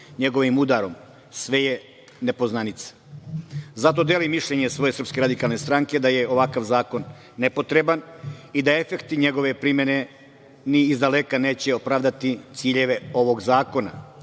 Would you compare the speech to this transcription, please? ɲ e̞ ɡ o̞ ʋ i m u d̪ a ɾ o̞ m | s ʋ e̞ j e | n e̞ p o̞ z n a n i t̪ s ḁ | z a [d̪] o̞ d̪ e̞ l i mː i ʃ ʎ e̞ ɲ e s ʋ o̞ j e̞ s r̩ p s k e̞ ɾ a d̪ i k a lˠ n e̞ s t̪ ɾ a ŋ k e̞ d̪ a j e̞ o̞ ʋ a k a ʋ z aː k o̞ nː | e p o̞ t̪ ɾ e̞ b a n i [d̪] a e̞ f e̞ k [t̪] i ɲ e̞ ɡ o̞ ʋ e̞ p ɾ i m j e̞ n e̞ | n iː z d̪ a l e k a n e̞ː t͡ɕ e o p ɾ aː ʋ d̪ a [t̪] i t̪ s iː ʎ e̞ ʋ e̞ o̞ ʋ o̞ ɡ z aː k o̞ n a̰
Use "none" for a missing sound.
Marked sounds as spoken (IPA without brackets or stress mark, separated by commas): t̪, d̪, t̪, t̪